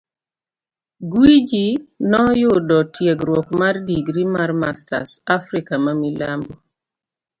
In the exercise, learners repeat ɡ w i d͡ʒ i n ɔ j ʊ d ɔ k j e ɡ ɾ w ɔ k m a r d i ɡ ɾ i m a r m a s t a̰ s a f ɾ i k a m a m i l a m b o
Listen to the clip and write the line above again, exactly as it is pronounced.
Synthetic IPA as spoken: ɡ w i d͡ʒ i n ɔ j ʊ d ɔ t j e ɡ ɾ w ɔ k m a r d i ɡ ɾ i m a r m a s t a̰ s a f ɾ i k a m a m i l a m b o